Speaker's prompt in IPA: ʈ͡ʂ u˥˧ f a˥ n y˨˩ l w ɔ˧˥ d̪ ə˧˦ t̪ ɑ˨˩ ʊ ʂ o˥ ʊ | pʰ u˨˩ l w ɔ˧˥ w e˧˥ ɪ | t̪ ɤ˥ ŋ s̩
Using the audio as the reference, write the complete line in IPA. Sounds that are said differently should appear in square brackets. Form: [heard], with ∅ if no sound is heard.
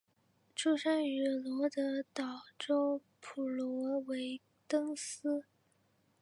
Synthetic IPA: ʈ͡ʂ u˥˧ [ʂ] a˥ n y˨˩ l w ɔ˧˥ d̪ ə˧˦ t̪ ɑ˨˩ ʊ [ʈ͡ʂ] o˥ ʊ | pʰ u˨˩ l w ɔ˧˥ w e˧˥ ɪ | t̪ ɤ˥ ŋ s̩